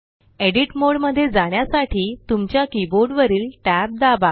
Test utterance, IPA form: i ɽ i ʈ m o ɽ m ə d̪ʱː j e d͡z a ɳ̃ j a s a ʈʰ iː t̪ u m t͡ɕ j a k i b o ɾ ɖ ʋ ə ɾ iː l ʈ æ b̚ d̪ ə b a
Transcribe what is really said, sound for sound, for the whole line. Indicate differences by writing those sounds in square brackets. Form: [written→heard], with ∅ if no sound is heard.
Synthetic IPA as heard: [i→e] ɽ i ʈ m o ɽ m ə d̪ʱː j e d͡z a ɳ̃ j a s a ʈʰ iː t̪ u m t͡ɕ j a k i b o ɾ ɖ ʋ ə ɾ iː l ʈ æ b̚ d̪ [ə→a] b a

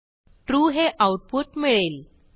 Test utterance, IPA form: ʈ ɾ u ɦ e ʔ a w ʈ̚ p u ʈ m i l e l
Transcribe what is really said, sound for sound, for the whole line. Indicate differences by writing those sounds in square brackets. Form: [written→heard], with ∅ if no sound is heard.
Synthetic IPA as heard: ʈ ɾ u ɦ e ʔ a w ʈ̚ p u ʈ m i [l→ɭ] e l

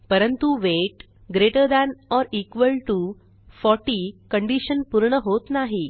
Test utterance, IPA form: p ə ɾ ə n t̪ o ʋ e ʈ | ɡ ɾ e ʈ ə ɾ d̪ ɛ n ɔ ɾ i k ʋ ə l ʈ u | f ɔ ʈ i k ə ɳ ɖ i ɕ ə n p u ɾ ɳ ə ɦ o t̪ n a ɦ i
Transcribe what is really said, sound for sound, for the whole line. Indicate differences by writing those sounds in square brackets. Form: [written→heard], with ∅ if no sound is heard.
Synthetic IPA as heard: p ə ɾ ə n t̪ [o→u] ʋ e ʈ | ɡ ɾ e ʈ ə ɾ d̪ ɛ n ɔ ɾ i k ʋ ə l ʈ u | f ɔ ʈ i k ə ɳ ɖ i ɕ ə n p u ɾ ɳ ə ɦ o t̪ n a ɦ i

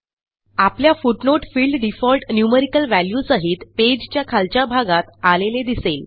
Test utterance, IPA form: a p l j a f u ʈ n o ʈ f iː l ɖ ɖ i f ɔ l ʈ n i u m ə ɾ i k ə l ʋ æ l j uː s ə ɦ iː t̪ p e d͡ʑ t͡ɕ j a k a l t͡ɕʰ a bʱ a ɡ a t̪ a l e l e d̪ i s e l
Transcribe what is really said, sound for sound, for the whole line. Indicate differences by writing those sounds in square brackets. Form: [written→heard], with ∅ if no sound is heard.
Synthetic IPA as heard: a p l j a f u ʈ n o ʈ f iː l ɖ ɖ i f ɔ l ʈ n [i→j] u m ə ɾ i k ə l ʋ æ l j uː s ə ɦ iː t̪ p e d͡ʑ t͡ɕ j a [k→kʰ] a l [t͡ɕʰ→t͡ɕ] a bʱ a ɡ a t̪ a l e l e d̪ i s e l

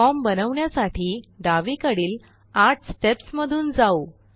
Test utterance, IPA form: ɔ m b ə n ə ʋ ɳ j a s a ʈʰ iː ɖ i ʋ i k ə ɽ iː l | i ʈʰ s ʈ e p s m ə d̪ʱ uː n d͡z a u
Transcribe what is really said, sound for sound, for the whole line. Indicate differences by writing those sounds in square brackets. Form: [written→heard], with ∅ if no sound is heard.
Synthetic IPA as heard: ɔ m b ə n ə ʋ ɳ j a s a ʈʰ iː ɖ [i→a] ʋ i k ə ɽ iː l | [i→a] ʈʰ s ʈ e p s m ə d̪ʱ uː n d͡z a u

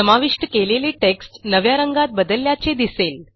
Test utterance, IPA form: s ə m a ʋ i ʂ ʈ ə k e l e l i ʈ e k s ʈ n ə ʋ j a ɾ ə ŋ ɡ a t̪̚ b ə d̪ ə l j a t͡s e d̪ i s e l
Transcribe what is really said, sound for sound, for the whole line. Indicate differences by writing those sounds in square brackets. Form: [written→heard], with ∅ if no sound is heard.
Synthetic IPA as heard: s ə m a ʋ i ʂ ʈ ə k e l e l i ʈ e k s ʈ n ə ʋ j a ɾ ə ŋ ɡ a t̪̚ b ə d̪ ə l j a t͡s e d̪ i s e l

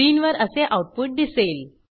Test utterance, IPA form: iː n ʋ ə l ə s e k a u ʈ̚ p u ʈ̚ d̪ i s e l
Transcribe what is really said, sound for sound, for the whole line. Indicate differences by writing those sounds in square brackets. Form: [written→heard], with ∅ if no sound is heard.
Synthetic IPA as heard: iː n ʋ ə [l→ɾ] ə s e [k→ʔ] a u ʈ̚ p u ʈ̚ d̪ i s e l

